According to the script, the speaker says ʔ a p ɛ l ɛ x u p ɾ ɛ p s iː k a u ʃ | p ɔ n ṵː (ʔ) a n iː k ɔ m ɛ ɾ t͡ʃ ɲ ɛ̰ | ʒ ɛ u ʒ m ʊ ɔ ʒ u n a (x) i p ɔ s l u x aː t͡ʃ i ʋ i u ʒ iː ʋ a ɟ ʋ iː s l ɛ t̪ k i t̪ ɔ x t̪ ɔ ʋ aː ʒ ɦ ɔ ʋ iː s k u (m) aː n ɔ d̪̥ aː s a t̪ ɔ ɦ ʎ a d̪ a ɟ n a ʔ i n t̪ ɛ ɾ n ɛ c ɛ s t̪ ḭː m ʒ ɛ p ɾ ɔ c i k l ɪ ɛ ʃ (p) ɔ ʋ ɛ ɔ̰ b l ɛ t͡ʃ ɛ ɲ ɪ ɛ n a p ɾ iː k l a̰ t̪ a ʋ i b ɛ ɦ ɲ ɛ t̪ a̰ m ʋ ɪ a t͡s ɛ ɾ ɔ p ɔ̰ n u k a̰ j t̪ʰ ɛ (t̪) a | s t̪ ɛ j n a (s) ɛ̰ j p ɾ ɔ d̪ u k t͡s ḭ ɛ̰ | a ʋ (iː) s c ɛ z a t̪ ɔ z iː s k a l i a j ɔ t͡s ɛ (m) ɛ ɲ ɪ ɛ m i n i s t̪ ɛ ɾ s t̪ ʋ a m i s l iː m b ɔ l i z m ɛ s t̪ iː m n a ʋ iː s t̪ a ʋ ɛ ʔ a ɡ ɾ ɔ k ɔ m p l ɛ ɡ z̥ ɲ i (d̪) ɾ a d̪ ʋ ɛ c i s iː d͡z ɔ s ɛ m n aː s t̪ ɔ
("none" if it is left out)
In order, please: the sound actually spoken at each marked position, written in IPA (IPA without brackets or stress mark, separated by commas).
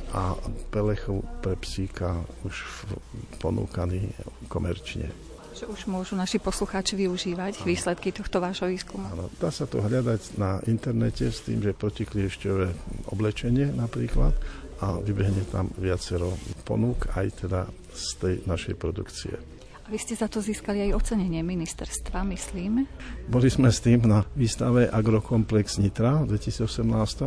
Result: k, ʃ, m, c, d̪, ʃ, i, ɲ, t̪